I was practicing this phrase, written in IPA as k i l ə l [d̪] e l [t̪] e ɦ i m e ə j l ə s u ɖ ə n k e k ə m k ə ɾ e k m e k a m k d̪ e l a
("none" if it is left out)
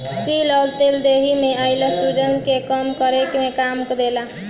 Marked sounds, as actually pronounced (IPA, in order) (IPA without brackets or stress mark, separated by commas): t̪, d̪